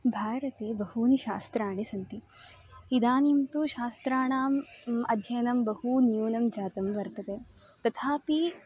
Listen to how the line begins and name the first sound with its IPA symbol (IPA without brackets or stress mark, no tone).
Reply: bʱ